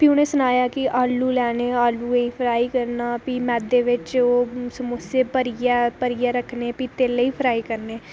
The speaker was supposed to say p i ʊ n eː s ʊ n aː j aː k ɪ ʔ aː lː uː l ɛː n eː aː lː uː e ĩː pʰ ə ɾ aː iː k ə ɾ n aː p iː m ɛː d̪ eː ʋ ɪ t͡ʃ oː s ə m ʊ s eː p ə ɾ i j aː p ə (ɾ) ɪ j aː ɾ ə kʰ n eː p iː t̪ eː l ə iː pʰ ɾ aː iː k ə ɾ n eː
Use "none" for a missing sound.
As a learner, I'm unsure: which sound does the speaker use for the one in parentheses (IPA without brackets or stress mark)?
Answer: ɾ